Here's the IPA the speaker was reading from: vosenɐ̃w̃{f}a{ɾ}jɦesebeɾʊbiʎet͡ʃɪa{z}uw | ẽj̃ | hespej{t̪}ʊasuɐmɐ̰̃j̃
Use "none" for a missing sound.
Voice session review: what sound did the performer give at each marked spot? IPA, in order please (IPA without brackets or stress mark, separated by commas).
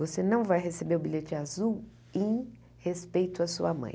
v, none, z, t̪